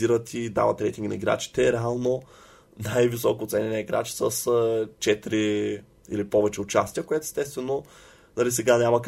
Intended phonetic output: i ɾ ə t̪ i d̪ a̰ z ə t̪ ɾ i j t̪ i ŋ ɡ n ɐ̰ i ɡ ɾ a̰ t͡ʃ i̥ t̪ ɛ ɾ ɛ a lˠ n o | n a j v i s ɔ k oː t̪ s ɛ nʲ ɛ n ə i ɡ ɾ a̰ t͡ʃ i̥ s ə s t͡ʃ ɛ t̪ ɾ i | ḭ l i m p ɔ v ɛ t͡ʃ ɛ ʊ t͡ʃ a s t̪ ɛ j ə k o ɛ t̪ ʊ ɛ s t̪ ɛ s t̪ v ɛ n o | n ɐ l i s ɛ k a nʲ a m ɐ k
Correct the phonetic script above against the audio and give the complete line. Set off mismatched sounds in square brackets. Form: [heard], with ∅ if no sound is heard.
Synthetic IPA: i ɾ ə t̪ i d̪ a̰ [v] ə t̪ ɾ [ɛ] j t̪ i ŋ ɡ n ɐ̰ i ɡ ɾ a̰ t͡ʃ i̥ t̪ ɛ ɾ ɛ a lˠ n o | n a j v i s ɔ k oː t̪ s ɛ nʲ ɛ n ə i ɡ ɾ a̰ t͡ʃ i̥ s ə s t͡ʃ ɛ t̪ ɾ i | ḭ l i [∅] p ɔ v ɛ t͡ʃ ɛ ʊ t͡ʃ a s t̪ [i] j ə k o ɛ t̪ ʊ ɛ s t̪ ɛ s t̪ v ɛ n o | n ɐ l i s ɛ [ɡ] a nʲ a m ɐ k